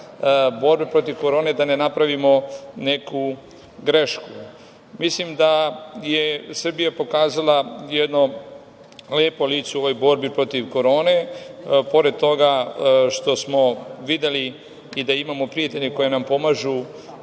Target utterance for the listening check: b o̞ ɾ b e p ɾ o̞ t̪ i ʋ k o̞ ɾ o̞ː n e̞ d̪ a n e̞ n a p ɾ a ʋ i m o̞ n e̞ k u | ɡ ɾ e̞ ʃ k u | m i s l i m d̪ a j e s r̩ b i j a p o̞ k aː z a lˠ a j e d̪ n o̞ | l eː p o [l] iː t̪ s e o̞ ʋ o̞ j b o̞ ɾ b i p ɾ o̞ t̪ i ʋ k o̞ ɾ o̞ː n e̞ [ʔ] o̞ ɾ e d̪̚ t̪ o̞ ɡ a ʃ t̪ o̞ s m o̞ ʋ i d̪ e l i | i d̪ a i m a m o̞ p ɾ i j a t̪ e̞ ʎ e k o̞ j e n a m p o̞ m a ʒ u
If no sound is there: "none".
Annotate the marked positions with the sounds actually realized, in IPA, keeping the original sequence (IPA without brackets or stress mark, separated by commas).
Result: l, p